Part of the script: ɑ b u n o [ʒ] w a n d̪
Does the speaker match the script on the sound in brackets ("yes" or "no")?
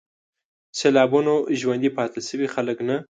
yes